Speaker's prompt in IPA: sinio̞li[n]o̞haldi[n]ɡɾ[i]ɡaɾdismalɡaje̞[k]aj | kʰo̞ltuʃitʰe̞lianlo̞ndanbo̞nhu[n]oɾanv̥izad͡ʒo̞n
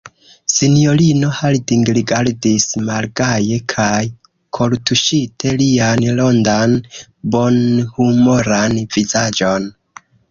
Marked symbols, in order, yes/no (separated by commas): yes, no, yes, no, no